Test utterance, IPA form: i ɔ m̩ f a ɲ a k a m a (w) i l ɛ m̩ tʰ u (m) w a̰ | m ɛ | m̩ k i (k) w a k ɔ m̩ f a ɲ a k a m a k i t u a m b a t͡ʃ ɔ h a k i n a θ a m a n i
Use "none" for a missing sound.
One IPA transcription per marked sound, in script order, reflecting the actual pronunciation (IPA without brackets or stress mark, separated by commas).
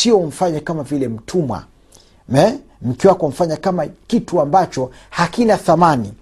v, m, none